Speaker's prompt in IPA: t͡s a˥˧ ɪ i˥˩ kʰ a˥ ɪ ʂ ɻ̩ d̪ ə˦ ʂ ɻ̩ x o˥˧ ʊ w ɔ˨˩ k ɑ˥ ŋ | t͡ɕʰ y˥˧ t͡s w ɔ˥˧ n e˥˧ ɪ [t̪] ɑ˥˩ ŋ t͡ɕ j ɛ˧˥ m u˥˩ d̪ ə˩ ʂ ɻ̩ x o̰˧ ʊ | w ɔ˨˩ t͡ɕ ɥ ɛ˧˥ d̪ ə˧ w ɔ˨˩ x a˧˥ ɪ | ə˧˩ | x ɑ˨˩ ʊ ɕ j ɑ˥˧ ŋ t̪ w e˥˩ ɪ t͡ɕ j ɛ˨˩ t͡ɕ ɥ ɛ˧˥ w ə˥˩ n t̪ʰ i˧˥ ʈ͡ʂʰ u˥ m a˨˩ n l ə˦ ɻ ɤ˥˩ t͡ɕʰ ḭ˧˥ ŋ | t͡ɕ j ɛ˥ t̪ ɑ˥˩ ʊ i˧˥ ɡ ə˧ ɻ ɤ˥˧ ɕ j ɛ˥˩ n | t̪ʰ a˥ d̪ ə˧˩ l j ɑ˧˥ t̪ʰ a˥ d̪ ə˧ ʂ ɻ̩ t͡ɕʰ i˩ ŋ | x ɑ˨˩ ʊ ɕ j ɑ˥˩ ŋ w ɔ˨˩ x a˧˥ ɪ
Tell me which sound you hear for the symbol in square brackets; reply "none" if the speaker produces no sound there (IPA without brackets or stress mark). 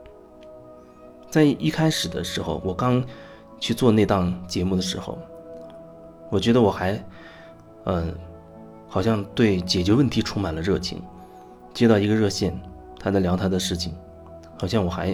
t̪